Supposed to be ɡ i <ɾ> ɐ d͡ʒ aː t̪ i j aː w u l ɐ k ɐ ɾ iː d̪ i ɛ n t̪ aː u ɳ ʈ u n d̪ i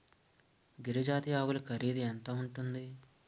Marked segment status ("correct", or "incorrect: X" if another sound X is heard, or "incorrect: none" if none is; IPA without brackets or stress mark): correct